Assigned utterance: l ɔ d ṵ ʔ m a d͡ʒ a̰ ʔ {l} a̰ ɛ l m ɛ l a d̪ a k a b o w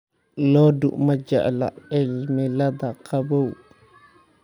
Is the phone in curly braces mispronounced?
no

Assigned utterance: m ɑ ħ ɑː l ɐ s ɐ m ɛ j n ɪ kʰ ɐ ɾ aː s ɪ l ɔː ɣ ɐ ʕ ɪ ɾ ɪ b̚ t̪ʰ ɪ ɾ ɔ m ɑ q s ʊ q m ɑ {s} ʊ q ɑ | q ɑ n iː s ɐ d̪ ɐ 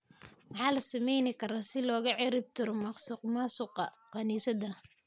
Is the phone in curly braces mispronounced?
no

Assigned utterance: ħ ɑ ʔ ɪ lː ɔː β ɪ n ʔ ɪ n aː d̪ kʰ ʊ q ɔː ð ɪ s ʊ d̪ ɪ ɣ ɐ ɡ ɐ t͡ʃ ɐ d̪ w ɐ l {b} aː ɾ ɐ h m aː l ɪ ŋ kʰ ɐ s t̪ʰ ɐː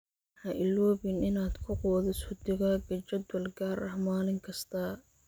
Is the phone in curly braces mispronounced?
yes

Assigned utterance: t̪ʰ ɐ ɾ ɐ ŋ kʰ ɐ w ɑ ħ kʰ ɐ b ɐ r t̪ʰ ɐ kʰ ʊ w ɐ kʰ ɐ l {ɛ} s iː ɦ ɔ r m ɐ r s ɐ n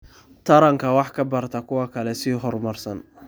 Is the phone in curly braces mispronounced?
no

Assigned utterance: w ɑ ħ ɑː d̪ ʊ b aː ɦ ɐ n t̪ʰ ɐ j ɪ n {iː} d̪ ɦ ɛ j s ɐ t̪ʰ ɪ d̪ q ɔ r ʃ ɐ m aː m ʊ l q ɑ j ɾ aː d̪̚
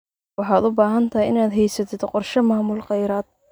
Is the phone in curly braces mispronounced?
yes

